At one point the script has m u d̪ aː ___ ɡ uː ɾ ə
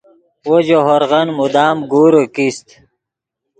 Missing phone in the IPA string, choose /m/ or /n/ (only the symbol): m